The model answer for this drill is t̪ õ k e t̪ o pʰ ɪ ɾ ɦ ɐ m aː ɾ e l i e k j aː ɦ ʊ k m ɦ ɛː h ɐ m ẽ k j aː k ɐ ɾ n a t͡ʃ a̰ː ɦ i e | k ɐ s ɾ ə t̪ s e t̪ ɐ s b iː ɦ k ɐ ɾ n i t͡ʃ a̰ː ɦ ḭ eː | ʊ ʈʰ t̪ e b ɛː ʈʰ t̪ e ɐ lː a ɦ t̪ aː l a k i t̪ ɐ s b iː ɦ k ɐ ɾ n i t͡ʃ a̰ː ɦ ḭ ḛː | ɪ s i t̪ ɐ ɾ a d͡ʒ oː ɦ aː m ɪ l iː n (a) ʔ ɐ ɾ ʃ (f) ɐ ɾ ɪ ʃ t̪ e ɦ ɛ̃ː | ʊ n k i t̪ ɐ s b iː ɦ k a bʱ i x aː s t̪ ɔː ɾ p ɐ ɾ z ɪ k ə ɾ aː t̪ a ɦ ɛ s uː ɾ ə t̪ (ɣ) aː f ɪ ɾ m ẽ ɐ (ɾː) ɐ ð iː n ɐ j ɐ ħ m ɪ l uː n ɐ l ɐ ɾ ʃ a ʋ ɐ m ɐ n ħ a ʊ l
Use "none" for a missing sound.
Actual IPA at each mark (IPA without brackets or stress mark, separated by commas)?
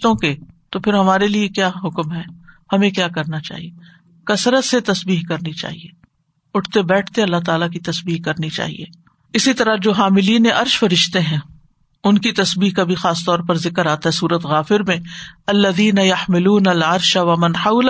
e, f, ɣ, lː